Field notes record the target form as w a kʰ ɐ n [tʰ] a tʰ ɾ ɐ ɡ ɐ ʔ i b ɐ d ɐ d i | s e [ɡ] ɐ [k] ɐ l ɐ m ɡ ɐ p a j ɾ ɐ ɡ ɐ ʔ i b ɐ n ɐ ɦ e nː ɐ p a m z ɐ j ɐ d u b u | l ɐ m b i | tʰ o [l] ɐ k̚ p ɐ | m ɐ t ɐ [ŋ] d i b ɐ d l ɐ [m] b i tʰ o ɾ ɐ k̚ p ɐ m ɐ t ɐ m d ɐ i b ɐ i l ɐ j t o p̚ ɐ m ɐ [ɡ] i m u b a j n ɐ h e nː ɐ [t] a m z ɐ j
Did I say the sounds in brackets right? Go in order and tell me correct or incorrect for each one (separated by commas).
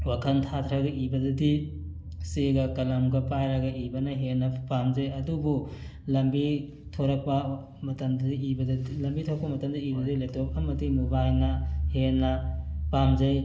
correct, correct, correct, incorrect, incorrect, correct, incorrect, incorrect